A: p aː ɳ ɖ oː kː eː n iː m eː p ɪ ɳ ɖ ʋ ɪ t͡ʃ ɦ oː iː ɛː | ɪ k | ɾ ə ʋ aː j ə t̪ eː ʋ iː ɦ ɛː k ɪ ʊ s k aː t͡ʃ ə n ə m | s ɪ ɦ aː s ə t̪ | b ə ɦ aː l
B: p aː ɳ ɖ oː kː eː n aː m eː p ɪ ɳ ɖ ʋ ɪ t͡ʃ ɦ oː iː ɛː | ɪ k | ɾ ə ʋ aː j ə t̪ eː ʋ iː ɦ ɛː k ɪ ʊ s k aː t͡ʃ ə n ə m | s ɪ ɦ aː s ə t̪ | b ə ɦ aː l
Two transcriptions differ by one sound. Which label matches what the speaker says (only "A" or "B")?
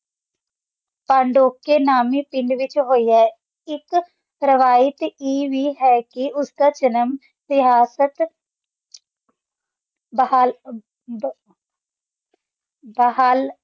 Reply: B